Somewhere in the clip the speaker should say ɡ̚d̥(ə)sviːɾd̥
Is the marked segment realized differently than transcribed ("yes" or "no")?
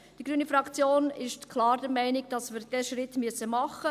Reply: yes